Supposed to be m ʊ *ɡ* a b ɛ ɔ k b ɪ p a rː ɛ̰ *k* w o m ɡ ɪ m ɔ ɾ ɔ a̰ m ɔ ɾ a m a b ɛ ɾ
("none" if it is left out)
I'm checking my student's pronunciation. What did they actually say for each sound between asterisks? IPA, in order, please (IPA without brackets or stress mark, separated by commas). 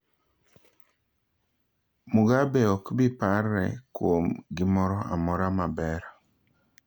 ɡ, k